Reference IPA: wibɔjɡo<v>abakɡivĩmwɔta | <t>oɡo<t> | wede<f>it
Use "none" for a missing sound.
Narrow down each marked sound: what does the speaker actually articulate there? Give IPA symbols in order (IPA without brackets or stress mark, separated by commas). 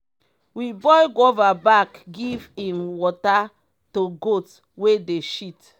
v, t, t, ʃ